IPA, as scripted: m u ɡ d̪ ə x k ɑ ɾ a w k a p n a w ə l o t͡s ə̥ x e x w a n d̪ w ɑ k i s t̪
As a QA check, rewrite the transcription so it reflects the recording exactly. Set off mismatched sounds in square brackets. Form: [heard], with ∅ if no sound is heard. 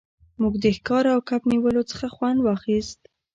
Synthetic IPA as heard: m u ɡ d̪ ə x k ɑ ɾ a w k a p n [i] w ə l o t͡s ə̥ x [a] x w a n d̪ w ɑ [x] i s t̪